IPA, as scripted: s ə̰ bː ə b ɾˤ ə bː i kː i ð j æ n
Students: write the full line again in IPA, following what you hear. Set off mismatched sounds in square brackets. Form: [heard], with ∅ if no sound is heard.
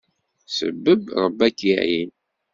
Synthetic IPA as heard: s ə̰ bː ə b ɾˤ ə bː [æ] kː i [ʕ] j [i] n

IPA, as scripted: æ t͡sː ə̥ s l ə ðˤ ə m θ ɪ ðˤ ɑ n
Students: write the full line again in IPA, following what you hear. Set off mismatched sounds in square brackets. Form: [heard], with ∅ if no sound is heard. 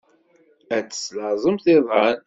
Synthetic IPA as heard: æ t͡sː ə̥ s l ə [zˤ] ə m θ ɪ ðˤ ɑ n

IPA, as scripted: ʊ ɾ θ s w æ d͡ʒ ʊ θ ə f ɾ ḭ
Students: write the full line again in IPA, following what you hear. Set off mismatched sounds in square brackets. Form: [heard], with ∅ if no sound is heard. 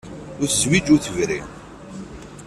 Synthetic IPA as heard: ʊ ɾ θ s w [i] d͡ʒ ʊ θ ə [v] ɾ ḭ

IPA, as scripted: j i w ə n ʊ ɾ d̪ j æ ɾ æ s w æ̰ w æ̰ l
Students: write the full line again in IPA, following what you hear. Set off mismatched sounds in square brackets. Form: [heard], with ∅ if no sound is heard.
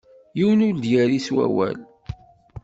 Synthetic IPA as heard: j i w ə n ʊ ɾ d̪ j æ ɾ [i] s w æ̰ w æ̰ l

